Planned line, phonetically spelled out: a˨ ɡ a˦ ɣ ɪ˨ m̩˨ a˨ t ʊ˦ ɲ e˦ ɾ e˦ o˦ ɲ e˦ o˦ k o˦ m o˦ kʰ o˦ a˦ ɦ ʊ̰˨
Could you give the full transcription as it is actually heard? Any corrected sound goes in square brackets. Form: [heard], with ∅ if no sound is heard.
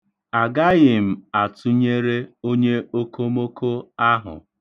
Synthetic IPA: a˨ ɡ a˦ ɣ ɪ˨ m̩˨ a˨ t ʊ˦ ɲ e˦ ɾ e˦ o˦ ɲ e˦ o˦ k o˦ m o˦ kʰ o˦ a˦ ɦ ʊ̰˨

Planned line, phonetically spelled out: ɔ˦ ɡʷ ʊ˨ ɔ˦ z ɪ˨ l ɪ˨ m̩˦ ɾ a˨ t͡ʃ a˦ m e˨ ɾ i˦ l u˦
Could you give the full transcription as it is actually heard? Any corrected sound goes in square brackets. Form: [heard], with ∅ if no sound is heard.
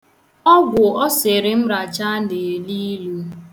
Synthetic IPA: ɔ˦ ɡʷ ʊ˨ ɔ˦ [s] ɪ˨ [ɾ] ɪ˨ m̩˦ ɾ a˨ t͡ʃ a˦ [n] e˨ [l] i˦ l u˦

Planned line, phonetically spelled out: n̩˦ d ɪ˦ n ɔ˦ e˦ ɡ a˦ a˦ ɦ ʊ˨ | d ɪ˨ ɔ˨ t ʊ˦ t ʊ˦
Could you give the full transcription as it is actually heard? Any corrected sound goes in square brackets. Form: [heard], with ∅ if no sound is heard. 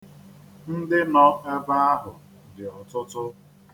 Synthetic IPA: n̩˦ d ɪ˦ n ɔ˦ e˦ [b] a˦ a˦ ɦ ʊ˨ | d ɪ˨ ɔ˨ t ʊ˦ t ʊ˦

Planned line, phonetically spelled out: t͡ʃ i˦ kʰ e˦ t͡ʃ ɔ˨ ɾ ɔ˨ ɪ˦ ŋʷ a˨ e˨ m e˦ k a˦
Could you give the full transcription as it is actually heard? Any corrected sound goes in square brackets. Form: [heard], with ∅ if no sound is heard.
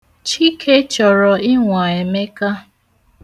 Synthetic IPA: t͡ʃ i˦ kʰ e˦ t͡ʃ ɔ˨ ɾ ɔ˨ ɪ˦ ŋʷ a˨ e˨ m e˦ k a˦

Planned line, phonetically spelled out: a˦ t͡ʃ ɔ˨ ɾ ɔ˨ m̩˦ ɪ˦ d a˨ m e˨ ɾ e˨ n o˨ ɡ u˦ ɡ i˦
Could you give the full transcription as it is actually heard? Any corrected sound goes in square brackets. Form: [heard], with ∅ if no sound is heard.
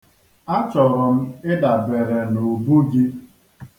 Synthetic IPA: a˦ t͡ʃ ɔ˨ ɾ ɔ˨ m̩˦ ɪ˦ d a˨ [b] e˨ ɾ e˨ n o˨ [b] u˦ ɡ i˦

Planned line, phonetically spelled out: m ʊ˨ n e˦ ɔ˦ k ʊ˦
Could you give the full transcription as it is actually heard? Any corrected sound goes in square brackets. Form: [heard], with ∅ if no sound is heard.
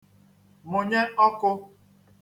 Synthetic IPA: m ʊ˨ [ɲ] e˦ ɔ˦ k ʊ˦

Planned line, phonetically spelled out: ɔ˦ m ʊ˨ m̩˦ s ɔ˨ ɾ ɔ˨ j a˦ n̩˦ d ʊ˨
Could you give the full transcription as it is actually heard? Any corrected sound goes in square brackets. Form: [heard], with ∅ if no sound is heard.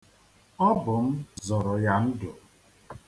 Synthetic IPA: ɔ˦ [b] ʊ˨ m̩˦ [z] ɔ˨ ɾ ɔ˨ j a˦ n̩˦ d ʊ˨

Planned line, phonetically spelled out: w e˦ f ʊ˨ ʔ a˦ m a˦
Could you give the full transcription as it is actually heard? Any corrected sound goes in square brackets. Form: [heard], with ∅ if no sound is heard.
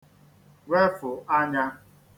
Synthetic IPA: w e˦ f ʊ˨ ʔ a˦ [ɲ] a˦

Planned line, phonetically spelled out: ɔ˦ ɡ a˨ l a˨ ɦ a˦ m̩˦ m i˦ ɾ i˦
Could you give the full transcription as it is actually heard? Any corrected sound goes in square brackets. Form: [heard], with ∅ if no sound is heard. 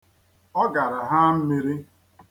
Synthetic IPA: ɔ˦ ɡ a˨ [ɾ] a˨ ɦ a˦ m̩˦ m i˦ ɾ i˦

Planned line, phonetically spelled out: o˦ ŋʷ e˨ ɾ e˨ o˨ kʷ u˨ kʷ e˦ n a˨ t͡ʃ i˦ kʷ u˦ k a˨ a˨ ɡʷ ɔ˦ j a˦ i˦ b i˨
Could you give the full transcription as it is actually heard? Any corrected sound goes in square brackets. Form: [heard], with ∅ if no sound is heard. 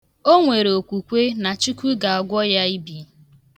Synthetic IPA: o˦ ŋʷ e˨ ɾ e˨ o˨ kʷ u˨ kʷ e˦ n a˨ t͡ʃ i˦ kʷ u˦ [ɡ] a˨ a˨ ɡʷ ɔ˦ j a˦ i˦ b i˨

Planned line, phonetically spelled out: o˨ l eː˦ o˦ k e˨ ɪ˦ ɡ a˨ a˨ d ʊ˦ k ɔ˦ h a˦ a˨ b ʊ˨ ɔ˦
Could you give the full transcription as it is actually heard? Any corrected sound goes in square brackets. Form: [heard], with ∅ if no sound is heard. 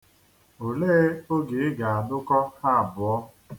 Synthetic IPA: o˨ l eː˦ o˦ [ɡ] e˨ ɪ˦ ɡ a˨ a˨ d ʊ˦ k ɔ˦ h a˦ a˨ b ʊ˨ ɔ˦

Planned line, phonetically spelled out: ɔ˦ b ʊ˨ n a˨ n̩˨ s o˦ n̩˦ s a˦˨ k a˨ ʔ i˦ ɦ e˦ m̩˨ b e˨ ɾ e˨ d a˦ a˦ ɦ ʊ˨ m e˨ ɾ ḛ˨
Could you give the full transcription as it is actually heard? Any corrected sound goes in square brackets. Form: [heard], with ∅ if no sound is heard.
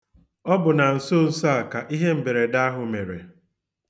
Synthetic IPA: ɔ˦ b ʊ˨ n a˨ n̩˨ s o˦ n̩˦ s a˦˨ k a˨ ʔ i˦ ɦ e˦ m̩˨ b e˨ ɾ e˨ d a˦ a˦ ɦ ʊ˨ m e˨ ɾ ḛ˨

